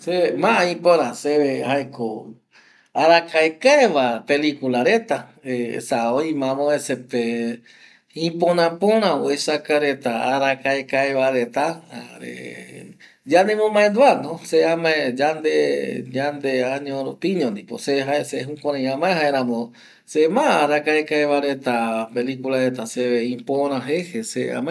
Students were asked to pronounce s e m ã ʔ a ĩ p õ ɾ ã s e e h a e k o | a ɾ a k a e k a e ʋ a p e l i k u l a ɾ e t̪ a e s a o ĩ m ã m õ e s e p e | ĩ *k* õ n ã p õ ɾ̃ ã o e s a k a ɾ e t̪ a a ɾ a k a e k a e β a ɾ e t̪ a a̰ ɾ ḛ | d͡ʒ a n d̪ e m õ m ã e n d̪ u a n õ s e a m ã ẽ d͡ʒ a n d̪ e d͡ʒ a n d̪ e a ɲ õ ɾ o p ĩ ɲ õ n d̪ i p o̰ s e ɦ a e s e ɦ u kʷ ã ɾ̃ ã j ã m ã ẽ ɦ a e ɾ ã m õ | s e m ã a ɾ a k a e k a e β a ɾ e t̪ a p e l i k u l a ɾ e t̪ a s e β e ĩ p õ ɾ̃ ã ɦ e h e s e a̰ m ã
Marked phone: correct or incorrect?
incorrect